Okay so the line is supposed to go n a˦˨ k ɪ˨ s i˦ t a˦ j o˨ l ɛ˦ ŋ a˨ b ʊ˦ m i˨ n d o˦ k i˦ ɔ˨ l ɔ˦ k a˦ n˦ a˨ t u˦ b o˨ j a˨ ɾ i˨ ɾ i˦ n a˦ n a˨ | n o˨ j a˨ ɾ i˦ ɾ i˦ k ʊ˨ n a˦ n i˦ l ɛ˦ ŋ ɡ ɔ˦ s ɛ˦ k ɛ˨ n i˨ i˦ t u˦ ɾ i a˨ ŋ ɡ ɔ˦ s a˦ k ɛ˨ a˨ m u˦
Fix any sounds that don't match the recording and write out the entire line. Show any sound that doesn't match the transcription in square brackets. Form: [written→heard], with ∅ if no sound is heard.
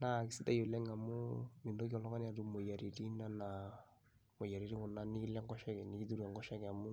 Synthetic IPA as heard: n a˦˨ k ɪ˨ s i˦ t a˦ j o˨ l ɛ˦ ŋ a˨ [b→m] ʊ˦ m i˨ n d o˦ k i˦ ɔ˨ l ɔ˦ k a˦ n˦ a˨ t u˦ [b→m] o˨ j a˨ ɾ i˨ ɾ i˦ n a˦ n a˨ | [n→m] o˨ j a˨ ɾ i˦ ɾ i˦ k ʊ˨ n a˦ n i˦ l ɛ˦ ŋ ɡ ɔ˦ [s→ʃ] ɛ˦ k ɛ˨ n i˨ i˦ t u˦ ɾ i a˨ ŋ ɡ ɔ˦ [s→ʃ] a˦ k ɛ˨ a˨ m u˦